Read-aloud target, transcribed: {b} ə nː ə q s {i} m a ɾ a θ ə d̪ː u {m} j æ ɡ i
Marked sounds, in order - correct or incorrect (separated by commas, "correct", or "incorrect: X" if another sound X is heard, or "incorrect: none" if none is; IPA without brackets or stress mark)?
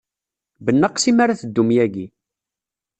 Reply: correct, correct, correct